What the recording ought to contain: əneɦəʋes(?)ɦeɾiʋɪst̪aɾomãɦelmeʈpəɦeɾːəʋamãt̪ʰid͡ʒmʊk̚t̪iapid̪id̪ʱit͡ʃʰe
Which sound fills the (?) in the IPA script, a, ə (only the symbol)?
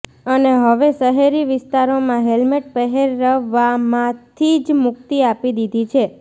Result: ə